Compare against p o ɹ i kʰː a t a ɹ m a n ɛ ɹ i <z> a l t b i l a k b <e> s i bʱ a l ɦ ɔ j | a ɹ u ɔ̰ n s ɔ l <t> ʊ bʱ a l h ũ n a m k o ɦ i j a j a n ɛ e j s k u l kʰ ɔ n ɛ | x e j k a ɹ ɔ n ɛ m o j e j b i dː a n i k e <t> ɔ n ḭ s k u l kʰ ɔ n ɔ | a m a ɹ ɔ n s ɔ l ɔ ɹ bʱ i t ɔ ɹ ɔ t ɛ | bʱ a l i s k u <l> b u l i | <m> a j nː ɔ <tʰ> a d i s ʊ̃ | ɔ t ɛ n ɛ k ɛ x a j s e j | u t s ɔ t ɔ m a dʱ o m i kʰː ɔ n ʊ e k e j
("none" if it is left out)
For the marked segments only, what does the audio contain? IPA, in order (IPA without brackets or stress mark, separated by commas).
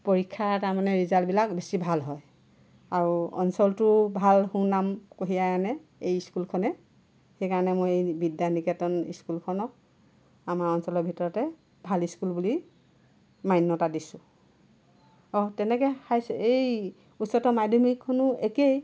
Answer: z, e, t, t, l, m, t